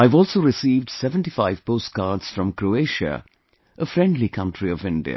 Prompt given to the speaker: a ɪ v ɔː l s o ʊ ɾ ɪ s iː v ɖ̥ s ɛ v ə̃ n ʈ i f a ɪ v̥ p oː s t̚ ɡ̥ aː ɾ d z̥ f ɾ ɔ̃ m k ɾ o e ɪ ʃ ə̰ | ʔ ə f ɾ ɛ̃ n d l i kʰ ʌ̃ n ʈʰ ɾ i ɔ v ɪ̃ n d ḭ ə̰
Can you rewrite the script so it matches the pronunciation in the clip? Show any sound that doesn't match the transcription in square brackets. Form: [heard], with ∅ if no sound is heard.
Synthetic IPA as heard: a ɪ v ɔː l s o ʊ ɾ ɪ s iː v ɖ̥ s ɛ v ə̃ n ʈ i f a ɪ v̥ p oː s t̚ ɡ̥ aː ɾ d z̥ f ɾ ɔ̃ m k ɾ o e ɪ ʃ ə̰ | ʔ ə f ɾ ɛ̃ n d l i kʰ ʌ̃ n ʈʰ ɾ i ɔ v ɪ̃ n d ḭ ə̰